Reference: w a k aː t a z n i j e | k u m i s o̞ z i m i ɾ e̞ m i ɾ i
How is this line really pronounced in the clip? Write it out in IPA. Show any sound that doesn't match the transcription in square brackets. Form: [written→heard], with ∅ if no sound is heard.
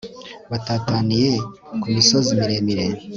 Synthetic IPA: [w→β] a [k→t] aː t a [z→∅] n i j e | k u m i s o̞ z i m i ɾ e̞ m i ɾ [i→e]

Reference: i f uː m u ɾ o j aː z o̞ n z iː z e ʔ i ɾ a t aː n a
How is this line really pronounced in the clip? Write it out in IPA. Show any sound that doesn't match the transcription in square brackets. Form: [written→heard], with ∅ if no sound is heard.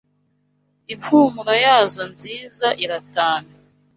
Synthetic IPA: i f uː m u ɾ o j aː z o̞ n z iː z [e→a] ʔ i ɾ a t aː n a

